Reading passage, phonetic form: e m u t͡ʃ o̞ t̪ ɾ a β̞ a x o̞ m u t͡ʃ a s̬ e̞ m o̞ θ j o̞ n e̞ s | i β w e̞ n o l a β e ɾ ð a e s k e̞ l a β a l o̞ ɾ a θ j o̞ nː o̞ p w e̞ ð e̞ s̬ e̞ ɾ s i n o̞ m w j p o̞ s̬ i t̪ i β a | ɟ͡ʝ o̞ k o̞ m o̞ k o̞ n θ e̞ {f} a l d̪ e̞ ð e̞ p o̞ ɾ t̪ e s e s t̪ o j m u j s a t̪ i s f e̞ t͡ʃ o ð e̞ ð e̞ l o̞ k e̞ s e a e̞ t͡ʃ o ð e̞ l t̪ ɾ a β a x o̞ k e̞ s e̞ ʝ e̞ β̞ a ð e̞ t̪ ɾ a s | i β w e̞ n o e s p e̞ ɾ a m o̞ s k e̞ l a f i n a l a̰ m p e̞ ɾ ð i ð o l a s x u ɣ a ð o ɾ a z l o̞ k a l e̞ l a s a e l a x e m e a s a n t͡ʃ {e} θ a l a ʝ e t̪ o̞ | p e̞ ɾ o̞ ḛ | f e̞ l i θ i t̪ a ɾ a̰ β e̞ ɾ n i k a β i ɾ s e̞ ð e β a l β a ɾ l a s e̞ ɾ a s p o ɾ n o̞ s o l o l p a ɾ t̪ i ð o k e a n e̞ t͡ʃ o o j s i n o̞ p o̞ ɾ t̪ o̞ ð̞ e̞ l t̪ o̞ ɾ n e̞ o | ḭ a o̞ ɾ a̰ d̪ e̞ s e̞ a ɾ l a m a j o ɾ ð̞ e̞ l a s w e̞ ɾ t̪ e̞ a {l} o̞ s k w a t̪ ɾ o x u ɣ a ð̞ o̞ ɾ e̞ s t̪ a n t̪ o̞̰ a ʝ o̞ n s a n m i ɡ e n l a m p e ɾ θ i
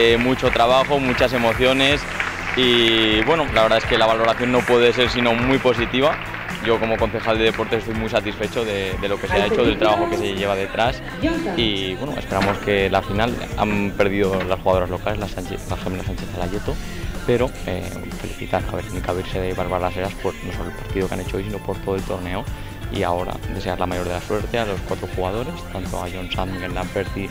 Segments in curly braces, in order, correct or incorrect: incorrect: x, correct, correct

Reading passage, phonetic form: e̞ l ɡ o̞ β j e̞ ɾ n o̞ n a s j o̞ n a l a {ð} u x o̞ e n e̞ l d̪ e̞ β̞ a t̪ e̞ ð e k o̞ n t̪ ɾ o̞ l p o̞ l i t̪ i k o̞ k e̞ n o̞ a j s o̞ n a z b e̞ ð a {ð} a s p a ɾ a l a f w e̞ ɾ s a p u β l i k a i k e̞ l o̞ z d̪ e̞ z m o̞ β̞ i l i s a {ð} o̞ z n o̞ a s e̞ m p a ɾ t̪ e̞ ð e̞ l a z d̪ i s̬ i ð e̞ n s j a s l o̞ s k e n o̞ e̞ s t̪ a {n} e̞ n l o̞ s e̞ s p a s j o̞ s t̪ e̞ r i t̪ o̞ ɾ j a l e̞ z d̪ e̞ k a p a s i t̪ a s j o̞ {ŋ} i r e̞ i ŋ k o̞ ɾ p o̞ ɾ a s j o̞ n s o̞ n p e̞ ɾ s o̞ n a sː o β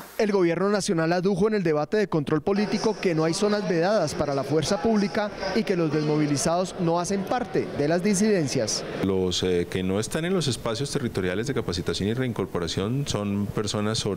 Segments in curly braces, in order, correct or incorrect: correct, correct, correct, correct, incorrect: n

